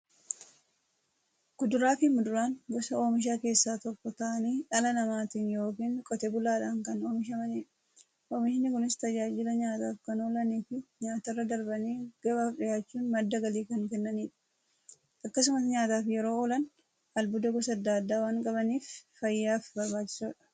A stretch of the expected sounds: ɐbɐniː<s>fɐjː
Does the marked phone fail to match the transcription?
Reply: yes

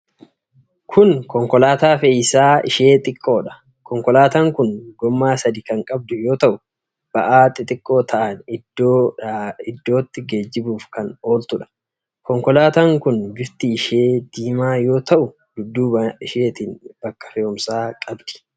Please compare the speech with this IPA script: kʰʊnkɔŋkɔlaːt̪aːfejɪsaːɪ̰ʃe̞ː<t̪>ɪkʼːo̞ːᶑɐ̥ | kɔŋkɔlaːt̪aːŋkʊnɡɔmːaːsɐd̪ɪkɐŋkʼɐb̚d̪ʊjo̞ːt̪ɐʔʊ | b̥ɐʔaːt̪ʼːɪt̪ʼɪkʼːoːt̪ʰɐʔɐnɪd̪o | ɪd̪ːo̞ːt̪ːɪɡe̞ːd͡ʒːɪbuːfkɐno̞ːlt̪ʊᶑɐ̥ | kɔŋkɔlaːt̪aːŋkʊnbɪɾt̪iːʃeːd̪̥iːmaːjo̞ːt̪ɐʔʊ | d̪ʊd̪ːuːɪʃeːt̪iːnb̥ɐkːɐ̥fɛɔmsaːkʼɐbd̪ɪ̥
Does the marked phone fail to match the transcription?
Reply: yes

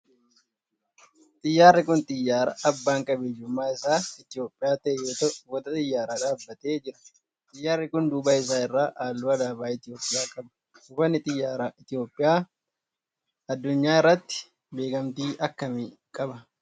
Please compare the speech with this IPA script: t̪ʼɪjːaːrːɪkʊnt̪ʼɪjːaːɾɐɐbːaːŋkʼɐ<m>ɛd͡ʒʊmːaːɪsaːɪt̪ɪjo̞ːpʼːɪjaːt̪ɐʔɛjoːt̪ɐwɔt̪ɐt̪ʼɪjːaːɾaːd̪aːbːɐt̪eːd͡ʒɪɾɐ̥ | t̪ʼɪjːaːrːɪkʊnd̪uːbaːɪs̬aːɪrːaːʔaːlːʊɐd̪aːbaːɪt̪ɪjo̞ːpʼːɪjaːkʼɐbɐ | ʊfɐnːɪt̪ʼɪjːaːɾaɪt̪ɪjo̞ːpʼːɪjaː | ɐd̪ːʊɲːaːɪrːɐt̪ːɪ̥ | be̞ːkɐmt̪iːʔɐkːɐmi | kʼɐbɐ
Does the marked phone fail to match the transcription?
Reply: yes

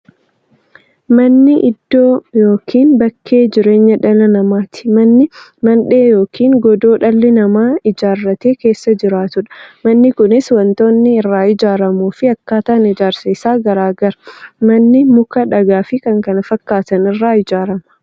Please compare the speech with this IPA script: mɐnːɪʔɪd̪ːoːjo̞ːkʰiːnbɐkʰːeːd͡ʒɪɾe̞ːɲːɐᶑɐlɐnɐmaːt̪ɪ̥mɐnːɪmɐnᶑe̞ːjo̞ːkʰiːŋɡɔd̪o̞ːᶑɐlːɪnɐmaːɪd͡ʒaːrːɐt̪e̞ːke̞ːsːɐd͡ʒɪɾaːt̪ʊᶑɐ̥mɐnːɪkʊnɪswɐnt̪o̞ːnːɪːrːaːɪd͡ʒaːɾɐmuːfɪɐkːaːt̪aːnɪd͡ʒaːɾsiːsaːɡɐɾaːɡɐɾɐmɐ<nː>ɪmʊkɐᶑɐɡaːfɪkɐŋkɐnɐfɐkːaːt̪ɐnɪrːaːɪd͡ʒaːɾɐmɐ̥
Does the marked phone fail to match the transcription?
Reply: no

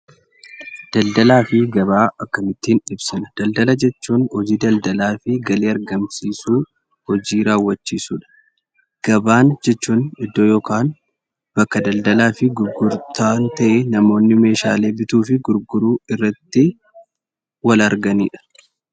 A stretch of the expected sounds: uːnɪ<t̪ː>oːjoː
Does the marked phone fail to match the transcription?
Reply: yes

